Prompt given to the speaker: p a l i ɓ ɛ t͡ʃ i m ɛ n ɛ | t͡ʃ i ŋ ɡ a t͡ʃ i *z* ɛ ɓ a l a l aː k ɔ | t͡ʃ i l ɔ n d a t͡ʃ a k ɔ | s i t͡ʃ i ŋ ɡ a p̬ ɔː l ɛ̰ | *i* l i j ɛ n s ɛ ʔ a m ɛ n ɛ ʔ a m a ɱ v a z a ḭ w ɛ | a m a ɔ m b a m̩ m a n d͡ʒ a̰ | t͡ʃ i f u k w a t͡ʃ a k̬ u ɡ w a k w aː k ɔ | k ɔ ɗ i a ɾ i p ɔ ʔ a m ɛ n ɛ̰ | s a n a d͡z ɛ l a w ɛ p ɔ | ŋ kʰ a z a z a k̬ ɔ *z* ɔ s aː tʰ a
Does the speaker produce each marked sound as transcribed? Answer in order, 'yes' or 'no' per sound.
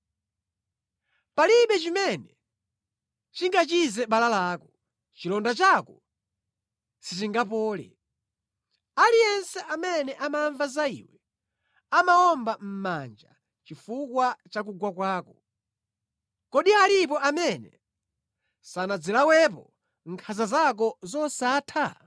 yes, no, yes

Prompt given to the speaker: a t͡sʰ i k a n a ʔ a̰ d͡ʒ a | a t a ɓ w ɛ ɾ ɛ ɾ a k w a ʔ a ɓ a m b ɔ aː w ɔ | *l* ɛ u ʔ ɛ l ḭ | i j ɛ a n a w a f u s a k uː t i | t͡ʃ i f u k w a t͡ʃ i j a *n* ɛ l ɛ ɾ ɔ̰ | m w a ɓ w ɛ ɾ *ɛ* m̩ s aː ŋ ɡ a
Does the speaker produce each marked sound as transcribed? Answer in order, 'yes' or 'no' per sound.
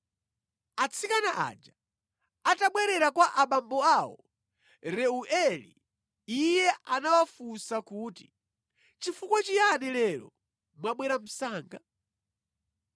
no, yes, no

